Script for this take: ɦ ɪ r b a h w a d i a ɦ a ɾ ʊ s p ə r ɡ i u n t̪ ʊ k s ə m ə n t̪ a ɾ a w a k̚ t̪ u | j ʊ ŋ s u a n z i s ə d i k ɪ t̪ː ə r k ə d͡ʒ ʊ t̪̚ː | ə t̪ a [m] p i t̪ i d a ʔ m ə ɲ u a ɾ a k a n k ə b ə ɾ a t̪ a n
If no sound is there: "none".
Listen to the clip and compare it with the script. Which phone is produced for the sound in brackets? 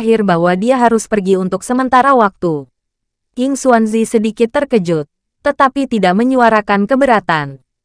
none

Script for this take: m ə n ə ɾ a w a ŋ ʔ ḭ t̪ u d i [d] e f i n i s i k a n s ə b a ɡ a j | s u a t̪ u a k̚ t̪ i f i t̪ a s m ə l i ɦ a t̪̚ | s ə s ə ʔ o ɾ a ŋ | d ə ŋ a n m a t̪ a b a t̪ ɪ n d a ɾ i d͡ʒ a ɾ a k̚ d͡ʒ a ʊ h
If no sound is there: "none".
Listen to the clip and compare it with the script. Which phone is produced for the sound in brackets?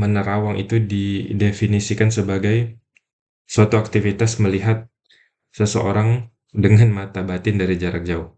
d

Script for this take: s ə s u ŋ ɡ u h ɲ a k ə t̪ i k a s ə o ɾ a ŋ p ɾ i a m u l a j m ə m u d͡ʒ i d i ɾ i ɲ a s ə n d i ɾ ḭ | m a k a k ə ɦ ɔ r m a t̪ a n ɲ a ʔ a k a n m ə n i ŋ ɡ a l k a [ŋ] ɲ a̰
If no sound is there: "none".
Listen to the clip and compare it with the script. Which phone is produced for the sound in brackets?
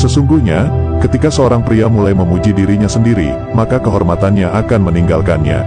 n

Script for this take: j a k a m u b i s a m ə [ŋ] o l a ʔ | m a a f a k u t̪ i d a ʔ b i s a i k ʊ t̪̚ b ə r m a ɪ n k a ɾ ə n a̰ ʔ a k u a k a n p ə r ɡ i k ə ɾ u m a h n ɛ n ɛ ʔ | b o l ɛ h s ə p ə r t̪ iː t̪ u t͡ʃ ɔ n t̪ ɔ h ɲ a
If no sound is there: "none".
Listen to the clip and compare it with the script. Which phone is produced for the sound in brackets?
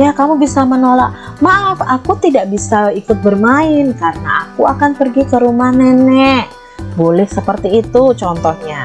n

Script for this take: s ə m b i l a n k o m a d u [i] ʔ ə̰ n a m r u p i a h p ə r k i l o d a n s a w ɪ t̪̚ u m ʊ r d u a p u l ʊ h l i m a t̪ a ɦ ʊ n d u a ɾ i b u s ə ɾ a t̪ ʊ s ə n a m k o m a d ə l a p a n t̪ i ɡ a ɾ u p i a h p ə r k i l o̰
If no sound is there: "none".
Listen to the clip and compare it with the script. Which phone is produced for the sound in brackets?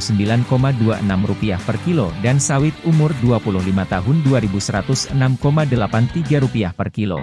a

